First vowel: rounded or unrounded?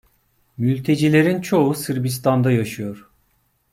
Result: rounded